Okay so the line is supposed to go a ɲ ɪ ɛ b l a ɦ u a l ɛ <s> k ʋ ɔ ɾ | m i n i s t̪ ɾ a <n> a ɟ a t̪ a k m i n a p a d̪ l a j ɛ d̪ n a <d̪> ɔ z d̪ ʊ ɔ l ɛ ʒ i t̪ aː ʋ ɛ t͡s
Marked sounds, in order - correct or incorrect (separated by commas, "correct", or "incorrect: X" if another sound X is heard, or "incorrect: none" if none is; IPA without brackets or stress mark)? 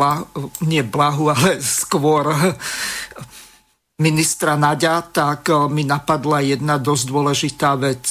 correct, correct, correct